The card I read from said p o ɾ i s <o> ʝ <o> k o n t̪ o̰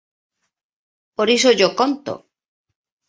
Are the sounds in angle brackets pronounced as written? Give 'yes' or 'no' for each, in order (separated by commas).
yes, yes